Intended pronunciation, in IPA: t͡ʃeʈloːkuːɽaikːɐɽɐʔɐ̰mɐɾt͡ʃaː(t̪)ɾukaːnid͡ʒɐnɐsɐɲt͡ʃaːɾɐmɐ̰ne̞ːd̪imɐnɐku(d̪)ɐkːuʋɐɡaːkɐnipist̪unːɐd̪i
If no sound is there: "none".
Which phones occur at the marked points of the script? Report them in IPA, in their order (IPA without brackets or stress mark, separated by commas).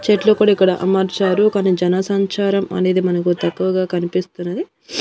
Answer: none, t̪